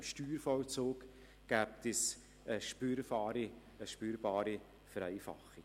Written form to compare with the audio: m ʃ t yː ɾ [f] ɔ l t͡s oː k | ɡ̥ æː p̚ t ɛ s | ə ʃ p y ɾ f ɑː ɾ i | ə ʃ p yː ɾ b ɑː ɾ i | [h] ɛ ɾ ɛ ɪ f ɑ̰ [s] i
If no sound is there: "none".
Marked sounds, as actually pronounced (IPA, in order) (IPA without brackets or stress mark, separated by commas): f, f, χ